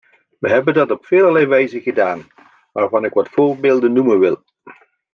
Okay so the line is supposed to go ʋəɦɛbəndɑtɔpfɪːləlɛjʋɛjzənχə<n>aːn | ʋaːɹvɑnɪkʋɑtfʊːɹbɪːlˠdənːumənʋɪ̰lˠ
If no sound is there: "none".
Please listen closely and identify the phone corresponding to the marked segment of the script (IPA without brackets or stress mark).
d